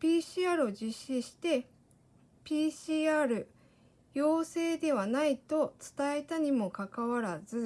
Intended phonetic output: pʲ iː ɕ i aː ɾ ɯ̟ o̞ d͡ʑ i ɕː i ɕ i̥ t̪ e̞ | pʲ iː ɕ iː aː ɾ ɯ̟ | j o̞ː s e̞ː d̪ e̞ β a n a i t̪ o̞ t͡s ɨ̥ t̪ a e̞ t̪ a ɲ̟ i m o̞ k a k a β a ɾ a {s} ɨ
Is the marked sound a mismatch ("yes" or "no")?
yes